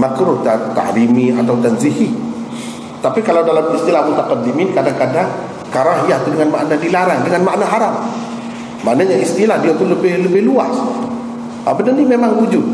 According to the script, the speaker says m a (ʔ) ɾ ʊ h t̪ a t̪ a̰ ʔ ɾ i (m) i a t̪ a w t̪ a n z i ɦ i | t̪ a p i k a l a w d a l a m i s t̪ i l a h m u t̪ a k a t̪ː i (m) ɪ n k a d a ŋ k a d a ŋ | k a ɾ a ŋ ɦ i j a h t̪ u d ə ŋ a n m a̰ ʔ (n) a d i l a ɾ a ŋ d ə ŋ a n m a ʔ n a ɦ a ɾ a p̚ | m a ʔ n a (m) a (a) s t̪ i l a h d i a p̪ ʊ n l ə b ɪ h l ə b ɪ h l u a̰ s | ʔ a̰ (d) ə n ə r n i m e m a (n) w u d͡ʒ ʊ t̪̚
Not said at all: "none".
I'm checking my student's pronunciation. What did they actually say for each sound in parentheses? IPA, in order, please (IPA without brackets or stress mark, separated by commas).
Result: k, m, m, n, ɲ, i, b, ŋ